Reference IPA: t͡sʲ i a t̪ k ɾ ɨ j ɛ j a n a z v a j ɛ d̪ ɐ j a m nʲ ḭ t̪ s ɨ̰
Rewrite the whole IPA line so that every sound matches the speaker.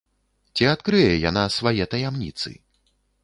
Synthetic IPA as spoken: t͡sʲ i a t̪ k ɾ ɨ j ɛ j a n a s v a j ɛ t̪ ɐ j a m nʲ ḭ t̪ s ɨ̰